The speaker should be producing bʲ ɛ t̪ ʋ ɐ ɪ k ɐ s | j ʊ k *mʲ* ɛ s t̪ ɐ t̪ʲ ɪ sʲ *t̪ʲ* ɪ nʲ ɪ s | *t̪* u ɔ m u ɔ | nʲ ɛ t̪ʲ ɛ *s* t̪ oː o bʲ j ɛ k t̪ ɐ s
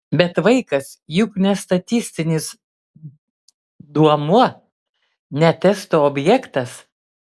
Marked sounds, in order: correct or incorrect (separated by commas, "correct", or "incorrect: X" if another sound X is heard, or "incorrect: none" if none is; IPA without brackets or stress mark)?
incorrect: nʲ, correct, incorrect: d̪, correct